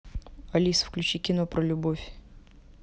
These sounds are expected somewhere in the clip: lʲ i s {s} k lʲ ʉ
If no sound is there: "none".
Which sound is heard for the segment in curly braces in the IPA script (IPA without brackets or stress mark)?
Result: f